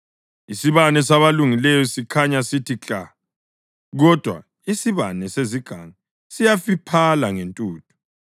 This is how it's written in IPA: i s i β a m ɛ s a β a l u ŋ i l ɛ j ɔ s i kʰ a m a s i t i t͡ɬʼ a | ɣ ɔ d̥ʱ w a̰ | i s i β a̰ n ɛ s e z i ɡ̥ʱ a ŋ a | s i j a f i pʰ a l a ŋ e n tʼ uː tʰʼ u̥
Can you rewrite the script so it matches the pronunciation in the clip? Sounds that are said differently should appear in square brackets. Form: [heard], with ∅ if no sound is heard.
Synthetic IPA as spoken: i s i β a [n] ɛ s a β a l u ŋ i l ɛ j ɔ s i kʰ a [ɲ] a s i t i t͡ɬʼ a | ɣ ɔ d̥ʱ w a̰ | i s i β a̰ n ɛ s e z i ɡ̥ʱ a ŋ a | s i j a f i pʰ a l a ŋ e n tʼ uː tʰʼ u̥